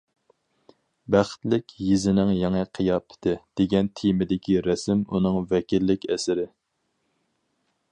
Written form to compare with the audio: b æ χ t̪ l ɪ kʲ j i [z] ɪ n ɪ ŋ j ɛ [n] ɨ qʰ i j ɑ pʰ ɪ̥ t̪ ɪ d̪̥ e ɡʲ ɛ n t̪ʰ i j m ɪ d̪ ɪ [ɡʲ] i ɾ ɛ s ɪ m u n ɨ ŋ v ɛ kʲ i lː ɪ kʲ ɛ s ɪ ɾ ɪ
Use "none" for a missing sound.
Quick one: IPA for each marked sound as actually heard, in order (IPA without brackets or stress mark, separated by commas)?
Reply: z, ŋ, kʲ